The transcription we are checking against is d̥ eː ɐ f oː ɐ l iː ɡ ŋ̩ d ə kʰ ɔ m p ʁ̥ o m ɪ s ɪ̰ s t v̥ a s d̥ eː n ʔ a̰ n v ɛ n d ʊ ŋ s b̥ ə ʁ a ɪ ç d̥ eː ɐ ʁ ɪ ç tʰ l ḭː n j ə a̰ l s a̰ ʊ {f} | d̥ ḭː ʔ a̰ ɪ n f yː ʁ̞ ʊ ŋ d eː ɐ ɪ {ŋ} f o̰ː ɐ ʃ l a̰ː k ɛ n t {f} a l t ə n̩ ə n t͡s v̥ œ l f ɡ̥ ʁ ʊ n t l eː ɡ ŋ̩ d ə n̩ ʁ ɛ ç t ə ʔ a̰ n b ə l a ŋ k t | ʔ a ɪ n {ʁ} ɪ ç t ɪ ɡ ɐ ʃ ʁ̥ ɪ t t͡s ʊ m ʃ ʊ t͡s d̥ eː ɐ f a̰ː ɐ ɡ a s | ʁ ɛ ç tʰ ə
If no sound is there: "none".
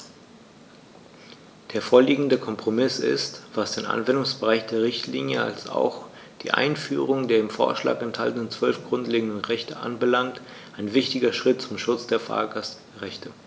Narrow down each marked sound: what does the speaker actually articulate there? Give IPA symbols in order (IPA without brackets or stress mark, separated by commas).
x, m, h, v